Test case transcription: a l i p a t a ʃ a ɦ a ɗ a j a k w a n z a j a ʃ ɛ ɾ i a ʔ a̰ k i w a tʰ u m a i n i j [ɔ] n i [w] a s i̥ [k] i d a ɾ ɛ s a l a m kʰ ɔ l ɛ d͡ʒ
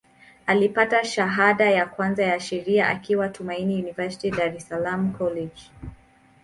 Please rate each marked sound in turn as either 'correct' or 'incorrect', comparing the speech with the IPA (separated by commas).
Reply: incorrect, incorrect, incorrect